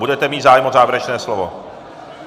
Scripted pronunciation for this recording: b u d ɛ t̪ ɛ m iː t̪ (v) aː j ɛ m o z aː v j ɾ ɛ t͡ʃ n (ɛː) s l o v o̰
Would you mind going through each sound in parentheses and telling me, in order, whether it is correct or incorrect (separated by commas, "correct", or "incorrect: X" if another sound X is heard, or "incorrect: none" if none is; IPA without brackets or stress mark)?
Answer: incorrect: z, correct